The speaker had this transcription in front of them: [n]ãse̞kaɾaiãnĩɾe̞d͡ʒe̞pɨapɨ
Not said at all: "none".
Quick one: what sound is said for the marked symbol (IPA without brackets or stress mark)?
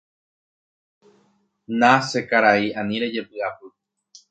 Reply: n